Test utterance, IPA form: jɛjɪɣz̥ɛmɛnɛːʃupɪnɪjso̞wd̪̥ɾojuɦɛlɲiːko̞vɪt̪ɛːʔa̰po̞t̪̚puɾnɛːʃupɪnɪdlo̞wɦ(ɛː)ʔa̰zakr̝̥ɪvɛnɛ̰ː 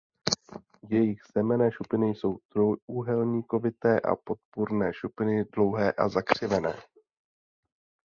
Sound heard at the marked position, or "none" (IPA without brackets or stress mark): ɛː